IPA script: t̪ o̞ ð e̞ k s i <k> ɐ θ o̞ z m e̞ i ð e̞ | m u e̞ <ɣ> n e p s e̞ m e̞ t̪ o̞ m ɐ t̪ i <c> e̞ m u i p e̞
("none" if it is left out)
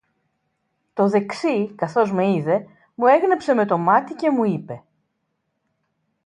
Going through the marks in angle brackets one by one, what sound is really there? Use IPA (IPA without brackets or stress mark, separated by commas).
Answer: k, ɣ, c